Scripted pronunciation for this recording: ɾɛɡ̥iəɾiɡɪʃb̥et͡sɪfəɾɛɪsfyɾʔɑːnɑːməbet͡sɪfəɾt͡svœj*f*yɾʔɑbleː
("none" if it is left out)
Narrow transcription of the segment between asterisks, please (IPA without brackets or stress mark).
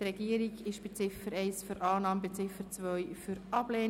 f